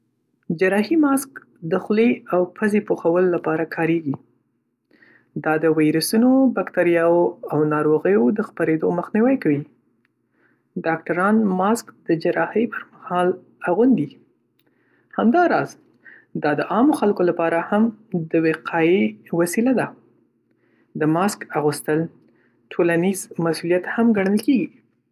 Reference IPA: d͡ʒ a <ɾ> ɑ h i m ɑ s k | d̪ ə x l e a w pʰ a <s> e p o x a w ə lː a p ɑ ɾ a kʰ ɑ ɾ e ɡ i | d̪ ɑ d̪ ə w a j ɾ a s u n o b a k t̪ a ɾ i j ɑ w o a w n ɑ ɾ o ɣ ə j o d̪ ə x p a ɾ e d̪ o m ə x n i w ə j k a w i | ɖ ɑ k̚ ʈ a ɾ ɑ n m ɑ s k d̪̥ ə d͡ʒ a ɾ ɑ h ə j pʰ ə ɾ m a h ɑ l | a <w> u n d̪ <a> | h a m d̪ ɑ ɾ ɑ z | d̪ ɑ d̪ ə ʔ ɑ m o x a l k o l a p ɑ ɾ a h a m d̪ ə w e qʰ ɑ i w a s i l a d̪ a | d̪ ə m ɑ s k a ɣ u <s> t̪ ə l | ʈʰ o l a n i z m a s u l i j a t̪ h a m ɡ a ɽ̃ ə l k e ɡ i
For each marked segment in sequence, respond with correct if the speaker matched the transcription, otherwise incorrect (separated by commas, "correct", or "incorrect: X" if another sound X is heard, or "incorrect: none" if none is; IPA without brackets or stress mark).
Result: correct, incorrect: z, incorrect: ɣ, incorrect: i, correct